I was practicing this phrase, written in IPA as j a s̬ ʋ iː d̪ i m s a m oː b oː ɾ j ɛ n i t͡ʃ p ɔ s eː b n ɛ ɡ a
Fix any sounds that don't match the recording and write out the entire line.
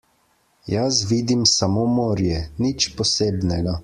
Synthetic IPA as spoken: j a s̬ ʋ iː d̪ i m s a m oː m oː ɾ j ɛ n i t͡ʃ p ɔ s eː b n ɛ ɡ a